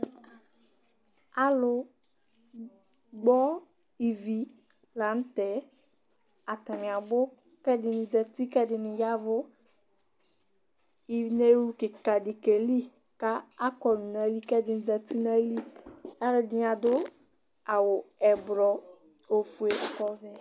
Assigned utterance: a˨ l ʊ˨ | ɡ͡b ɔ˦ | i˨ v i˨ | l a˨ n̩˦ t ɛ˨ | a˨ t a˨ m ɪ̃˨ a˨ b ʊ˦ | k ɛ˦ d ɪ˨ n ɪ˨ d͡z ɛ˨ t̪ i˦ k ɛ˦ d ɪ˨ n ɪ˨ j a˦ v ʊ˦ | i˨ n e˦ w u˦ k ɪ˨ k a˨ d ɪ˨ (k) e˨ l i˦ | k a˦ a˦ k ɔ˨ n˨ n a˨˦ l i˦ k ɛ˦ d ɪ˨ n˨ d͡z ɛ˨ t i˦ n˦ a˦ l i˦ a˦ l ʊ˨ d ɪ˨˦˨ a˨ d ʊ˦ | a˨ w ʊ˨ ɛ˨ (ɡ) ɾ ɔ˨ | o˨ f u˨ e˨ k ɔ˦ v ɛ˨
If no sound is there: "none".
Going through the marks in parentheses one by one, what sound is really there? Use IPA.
k, b

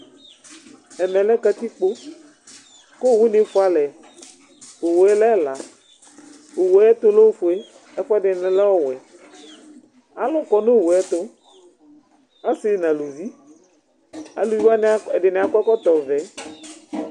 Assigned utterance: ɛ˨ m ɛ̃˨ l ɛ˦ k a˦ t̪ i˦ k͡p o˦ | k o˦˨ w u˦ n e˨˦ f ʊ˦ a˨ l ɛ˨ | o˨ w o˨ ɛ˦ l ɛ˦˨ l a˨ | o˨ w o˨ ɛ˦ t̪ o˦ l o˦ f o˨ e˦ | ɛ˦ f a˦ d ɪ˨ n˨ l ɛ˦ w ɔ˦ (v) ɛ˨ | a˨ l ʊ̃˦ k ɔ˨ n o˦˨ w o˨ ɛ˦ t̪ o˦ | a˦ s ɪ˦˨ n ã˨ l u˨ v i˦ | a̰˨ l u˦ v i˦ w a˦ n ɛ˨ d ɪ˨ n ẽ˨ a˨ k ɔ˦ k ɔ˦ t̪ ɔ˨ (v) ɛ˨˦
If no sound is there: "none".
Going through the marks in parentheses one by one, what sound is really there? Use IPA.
w, v

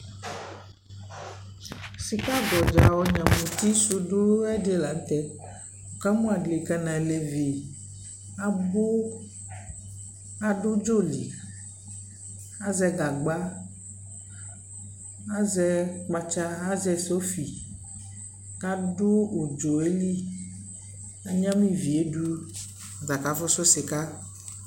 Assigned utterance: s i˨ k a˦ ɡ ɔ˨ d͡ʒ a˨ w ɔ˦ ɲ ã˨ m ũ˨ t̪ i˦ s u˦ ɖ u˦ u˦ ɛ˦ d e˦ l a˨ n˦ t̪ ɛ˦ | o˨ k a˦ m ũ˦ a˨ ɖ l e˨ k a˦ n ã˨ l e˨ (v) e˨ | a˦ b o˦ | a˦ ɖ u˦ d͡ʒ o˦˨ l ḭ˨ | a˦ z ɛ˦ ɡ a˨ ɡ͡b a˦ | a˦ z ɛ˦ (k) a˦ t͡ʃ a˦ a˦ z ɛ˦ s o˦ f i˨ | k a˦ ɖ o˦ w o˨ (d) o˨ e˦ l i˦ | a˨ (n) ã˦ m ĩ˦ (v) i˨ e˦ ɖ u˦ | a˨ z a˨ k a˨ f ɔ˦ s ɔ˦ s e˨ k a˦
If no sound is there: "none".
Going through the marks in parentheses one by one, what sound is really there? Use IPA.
v, k͡p, d͡ʒ, ɲ, v

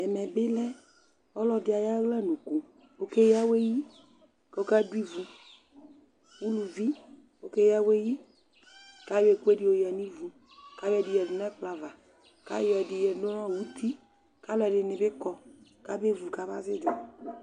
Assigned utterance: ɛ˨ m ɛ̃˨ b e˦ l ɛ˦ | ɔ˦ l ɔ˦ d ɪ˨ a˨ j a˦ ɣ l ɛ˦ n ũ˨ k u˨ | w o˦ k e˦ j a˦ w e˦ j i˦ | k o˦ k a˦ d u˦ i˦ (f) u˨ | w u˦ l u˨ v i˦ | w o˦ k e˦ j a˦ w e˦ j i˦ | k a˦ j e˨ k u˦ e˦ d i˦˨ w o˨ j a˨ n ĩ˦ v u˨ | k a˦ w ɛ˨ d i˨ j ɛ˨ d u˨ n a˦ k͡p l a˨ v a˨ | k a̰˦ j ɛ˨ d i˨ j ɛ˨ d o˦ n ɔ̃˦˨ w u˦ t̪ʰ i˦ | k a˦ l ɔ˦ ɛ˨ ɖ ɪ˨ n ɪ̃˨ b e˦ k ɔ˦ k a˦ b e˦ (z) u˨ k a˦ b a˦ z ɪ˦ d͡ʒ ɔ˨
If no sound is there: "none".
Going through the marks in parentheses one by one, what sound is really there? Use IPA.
v, v

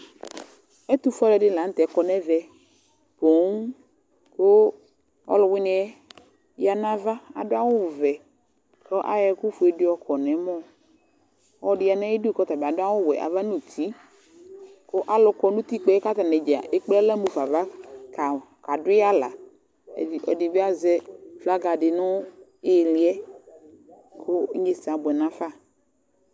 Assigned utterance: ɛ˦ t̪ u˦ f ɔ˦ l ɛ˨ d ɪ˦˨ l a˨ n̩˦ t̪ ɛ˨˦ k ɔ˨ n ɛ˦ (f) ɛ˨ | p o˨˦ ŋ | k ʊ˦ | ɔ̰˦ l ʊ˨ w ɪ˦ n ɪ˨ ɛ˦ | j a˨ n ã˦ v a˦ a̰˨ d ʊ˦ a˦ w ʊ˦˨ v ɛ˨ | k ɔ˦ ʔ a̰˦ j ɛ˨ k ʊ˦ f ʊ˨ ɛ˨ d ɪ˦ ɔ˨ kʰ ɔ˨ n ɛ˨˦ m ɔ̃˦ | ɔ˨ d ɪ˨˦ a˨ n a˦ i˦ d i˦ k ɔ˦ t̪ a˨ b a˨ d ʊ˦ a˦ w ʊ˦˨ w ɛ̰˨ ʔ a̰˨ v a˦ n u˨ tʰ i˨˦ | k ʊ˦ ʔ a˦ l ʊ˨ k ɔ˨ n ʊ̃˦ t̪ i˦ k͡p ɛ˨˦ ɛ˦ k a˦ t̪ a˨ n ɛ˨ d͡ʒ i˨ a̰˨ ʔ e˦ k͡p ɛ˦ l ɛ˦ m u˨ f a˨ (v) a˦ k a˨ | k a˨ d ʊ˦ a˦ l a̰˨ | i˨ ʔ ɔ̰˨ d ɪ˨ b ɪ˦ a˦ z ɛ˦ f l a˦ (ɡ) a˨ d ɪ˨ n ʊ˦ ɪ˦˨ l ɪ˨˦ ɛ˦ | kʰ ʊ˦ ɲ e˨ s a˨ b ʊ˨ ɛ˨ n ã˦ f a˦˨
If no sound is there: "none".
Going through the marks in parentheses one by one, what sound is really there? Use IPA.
v, v, ɡ

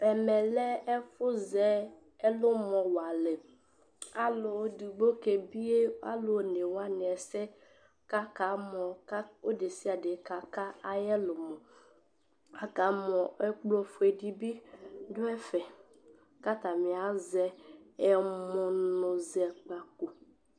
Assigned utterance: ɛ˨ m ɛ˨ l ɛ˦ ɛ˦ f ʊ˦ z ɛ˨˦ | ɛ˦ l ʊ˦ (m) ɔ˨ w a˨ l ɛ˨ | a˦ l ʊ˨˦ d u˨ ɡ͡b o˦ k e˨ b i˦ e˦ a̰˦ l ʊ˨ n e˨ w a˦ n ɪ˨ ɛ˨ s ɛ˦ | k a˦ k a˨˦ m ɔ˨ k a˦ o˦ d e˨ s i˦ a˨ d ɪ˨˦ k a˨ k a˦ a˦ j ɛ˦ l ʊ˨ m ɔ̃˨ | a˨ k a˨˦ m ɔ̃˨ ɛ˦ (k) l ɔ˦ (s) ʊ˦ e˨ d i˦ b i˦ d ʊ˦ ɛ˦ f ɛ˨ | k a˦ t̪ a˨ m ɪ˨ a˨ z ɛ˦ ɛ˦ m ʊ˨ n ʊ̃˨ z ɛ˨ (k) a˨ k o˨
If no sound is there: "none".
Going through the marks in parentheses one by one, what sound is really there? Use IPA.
m, k͡p, f, k͡p

